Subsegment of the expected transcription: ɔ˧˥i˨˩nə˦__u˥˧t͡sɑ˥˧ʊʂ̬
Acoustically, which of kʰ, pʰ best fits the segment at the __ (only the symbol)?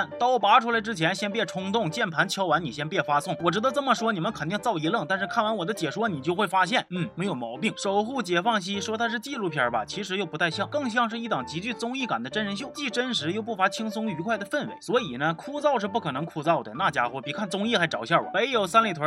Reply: kʰ